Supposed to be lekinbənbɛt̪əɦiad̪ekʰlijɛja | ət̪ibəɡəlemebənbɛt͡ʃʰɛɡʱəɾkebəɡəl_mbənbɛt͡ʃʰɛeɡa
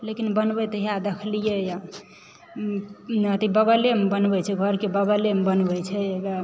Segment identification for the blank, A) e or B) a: A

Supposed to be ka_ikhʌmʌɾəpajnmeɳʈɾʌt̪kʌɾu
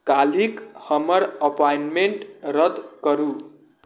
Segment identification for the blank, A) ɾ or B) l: B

